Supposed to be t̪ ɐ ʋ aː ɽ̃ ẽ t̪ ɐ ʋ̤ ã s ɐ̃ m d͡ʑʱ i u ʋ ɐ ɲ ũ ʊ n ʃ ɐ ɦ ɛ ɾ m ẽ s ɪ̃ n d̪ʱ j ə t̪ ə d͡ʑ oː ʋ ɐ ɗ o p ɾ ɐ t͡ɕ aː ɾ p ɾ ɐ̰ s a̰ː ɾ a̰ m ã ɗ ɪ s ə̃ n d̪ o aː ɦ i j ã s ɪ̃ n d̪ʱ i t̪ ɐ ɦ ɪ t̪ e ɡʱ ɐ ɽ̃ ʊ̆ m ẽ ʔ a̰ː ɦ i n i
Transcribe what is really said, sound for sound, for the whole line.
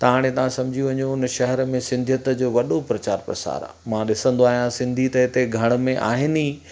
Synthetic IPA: t̪ ɐ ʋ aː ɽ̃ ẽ t̪ ɐ ʋ̤ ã s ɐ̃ m d͡ʑʱ i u ʋ ɐ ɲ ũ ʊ n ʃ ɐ ɦ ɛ ɾ m ẽ s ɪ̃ n d̪ʱ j ə t̪ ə d͡ʑ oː ʋ ɐ ɗ o p ɾ ɐ t͡ɕ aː ɾ p ɾ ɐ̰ s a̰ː ɾ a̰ m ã ɗ ɪ s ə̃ n d̪ o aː ɦ i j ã s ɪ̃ n d̪ʱ i t̪ ɐ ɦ ɪ t̪ e ɡʱ ɐ ɽ̃ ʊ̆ m ẽ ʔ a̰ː ɦ ɪ n i